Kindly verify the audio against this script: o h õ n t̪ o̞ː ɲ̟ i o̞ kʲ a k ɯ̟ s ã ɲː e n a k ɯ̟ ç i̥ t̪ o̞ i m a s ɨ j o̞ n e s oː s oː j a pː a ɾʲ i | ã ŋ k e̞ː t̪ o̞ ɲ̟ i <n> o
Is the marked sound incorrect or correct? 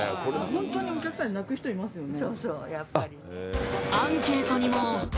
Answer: incorrect